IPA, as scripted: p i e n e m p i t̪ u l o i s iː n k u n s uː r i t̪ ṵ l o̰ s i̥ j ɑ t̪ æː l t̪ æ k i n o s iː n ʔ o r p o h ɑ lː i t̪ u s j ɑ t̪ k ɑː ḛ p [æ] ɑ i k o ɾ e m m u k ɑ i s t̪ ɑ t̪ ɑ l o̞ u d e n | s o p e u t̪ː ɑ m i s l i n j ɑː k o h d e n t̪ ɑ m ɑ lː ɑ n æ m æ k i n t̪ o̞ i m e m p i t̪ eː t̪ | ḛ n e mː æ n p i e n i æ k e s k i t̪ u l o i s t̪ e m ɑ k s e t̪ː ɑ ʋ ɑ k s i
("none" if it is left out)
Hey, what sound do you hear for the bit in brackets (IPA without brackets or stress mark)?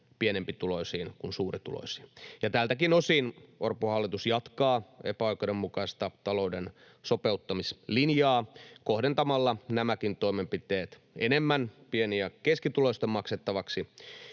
æ